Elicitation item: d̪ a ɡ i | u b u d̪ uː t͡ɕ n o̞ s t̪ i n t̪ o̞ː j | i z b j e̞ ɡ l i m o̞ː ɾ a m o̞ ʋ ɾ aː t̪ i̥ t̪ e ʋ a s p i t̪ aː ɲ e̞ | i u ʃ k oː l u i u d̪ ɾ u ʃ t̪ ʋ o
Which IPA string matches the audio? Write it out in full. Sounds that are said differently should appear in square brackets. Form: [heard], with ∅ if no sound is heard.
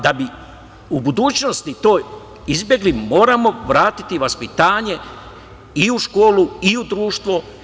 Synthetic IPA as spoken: d̪ a [b] i | u b u d̪ uː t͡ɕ n o̞ s t̪ i [∅] t̪ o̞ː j | i z b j e̞ ɡ l i m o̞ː ɾ a m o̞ ʋ ɾ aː t̪ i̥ t̪ [i] ʋ a s p i t̪ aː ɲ e̞ | i u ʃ k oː l u i u d̪ ɾ [uː] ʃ t̪ ʋ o

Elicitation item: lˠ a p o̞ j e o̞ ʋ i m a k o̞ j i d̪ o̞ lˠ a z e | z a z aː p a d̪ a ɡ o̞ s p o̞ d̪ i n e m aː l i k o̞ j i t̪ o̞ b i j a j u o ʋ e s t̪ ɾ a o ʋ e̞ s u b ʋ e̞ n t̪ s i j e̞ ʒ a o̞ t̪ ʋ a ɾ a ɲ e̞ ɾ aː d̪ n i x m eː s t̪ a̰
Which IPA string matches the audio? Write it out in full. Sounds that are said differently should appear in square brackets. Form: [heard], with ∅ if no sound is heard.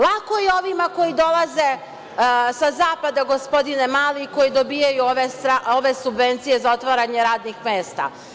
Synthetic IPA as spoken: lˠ a [k] o̞ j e o̞ ʋ i m a k o̞ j i d̪ o̞ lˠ a z e | [s] a z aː p a d̪ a ɡ o̞ s p o̞ d̪ i n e m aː l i k o̞ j i [d̪] o̞ b i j a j u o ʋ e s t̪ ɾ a o ʋ e̞ s u b ʋ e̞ n t̪ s i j e̞ [z] a o̞ t̪ ʋ a ɾ a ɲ e̞ ɾ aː d̪ n i x m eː s t̪ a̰

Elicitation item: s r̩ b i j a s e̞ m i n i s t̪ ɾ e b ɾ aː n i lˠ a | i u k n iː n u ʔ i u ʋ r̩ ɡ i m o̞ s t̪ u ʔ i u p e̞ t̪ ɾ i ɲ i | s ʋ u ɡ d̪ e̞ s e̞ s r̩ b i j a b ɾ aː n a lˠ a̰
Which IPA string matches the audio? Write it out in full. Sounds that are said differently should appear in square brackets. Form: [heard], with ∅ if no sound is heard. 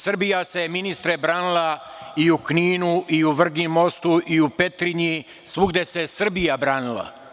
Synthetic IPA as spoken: s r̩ b i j a s e̞ m i n i s t̪ ɾ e b ɾ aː n i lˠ a | i u k n iː n u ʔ i u ʋ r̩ ɡ i m o̞ s t̪ u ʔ i u p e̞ t̪ ɾ i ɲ i | s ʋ u ɡ d̪ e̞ s e̞ s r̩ b i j a b ɾ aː n [i] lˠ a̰

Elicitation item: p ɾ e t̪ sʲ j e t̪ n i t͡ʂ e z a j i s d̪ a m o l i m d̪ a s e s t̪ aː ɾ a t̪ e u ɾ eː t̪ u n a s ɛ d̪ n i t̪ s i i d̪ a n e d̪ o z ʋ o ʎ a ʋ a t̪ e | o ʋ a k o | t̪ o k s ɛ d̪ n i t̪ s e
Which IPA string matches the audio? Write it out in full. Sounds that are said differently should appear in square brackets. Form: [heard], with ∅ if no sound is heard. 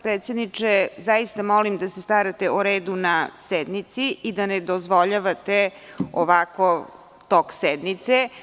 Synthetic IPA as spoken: p ɾ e t̪ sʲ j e [d̪] n i t͡ʂ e z a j i s [t̪] a m o l i m d̪ a s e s t̪ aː ɾ a t̪ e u ɾ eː [d̪] u n a s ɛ d̪ n i t̪ s i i d̪ a n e d̪ o z ʋ o ʎ a ʋ a t̪ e | o ʋ a k o | t̪ o k s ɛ d̪ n i t̪ s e

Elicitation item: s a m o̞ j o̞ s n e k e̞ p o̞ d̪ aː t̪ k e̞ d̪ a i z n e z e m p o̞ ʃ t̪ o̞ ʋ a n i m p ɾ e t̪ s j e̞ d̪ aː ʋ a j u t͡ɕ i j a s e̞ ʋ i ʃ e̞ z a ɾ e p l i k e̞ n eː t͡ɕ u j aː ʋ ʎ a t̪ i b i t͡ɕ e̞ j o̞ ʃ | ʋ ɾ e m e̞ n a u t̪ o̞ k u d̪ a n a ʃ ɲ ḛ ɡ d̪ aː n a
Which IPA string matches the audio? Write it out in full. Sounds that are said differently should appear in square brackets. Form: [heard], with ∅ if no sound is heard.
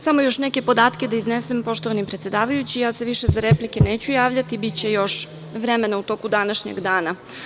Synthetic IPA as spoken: s a m o̞ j o̞ [ʃ] n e k e̞ p o̞ d̪ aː t̪ k e̞ d̪ a i z n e [s] e m p o̞ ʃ t̪ o̞ ʋ a n i m p ɾ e t̪ s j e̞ d̪ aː ʋ a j u t͡ɕ i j a s e̞ ʋ i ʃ e̞ z a ɾ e p l i k e̞ n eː t͡ɕ u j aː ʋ ʎ a t̪ i b i t͡ɕ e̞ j o̞ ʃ | ʋ ɾ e m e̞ n a u t̪ o̞ k u d̪ a n a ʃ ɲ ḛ ɡ d̪ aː n a

